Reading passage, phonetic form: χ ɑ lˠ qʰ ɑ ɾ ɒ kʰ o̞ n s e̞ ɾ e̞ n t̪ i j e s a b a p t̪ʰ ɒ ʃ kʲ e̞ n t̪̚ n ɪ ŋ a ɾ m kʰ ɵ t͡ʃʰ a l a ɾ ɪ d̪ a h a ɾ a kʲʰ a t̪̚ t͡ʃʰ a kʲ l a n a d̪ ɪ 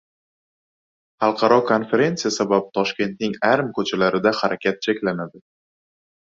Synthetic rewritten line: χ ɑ lˠ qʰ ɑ ɾ ɒ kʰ o̞ n f e̞ ɾ e̞ n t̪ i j a s a b a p t̪ʰ ɒ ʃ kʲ e̞ n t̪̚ n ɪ ŋ a ɾ m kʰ ɵ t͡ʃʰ a l a ɾ ɪ d̪ a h a ɾ a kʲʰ a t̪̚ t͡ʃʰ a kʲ l a n a d̪ ɪ